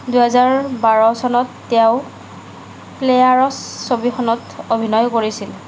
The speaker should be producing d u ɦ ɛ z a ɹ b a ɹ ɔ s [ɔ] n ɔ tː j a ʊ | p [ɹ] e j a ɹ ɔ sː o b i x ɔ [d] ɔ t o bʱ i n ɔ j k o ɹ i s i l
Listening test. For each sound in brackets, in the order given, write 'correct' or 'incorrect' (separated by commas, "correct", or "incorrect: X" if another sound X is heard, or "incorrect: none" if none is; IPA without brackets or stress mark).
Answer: correct, incorrect: l, incorrect: n